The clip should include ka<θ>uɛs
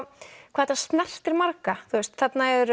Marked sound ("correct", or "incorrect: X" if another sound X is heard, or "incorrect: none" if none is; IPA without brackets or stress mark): correct